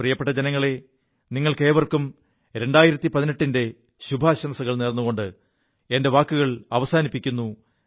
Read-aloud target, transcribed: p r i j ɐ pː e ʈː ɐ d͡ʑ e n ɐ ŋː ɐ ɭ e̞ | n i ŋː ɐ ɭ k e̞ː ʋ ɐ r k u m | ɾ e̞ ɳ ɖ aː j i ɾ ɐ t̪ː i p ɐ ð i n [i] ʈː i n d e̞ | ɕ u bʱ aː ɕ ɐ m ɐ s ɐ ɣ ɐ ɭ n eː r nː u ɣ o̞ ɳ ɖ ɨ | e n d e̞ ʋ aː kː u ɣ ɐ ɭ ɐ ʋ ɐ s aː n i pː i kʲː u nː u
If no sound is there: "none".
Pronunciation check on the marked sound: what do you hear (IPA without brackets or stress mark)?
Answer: e